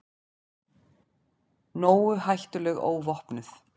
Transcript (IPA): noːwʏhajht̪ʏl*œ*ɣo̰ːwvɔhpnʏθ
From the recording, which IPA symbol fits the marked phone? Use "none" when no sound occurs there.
ɛ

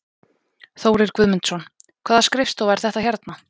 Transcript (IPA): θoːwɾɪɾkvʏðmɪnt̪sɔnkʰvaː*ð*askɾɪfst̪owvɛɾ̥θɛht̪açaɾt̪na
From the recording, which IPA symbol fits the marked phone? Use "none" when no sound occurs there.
ð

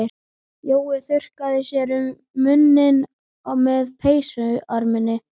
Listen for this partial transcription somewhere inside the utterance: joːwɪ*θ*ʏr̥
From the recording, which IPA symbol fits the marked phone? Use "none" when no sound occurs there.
θ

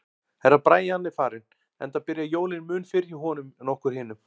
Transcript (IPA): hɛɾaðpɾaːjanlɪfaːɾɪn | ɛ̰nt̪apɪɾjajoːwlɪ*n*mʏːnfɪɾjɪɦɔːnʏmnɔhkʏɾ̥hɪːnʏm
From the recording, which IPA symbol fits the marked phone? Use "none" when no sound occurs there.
n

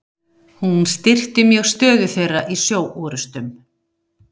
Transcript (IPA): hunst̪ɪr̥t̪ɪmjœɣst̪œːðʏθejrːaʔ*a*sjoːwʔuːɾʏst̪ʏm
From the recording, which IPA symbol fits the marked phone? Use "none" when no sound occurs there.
i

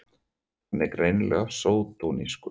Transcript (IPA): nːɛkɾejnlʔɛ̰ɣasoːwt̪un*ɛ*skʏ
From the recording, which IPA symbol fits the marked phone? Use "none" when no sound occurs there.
i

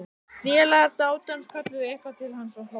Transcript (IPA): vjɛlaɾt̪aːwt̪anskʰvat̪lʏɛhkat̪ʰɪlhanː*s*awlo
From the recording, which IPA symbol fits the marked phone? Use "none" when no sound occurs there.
s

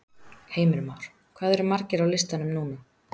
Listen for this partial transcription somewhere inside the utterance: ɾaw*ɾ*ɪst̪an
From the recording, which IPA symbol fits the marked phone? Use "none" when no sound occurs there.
l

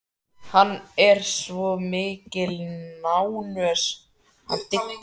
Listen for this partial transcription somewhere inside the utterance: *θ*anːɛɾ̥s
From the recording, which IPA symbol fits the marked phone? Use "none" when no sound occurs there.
h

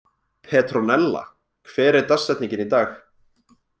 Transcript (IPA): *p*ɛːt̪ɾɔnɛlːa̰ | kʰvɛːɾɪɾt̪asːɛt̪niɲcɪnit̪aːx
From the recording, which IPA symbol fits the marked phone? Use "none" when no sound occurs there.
pʰ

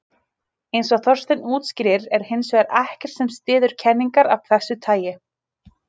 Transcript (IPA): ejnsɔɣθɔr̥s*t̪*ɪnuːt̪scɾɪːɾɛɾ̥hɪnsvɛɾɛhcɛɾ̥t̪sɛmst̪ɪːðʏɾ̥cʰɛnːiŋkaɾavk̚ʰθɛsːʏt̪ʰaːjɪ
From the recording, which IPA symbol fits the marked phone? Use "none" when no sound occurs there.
t̪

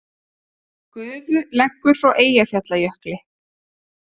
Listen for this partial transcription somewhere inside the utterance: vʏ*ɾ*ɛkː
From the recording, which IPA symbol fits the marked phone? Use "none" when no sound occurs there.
l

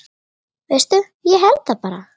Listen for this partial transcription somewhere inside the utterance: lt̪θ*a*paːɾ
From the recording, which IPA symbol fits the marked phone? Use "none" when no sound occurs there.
a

